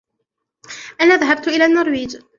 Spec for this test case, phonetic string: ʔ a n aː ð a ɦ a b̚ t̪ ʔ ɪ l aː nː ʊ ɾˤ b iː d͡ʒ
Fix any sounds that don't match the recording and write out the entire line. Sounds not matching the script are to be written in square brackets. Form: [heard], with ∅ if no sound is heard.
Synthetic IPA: ʔ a n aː ð a ɦ a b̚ t̪ ʔ ɪ l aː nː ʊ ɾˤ [w] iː d͡ʒ